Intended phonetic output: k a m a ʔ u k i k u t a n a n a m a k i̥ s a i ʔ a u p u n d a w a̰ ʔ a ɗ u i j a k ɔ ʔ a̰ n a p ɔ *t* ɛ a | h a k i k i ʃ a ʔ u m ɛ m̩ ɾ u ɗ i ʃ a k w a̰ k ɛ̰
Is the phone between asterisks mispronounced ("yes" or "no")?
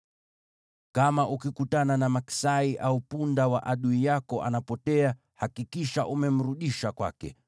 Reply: no